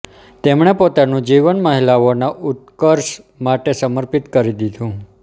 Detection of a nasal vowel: present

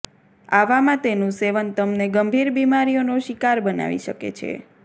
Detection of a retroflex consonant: absent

